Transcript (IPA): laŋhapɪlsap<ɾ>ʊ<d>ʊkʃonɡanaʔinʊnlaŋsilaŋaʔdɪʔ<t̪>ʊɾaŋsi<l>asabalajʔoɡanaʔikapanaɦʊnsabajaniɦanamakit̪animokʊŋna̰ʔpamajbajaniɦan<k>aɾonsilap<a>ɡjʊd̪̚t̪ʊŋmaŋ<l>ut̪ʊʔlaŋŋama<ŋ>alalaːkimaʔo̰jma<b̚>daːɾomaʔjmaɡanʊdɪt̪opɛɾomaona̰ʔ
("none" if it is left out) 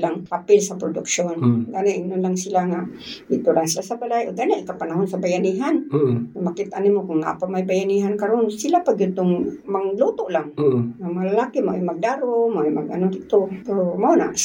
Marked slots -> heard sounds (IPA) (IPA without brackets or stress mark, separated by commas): ɾ, d, t̪, l, k, a, l, ŋ, ɡ̚